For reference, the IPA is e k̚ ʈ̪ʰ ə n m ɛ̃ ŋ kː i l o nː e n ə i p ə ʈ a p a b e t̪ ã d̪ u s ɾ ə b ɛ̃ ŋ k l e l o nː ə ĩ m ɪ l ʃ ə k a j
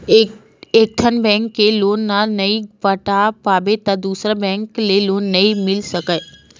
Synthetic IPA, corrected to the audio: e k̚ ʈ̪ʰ ə n b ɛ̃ ŋ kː e l o nː a n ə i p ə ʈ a p a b e t̪ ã d̪ u s ɾ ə b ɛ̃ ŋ k l e l o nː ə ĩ m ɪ l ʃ ə k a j